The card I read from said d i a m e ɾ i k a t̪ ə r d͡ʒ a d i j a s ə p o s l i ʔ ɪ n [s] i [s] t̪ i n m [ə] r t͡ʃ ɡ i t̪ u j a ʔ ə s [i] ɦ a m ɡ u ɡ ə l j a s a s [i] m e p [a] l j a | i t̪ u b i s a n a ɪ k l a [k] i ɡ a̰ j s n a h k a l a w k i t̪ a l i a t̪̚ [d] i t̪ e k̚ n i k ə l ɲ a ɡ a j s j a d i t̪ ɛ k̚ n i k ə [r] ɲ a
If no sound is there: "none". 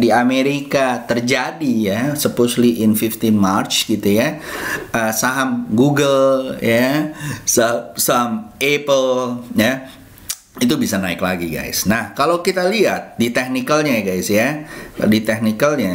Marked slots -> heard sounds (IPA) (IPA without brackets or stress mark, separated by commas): f, f, a, a, a, ə, ɡ, d, l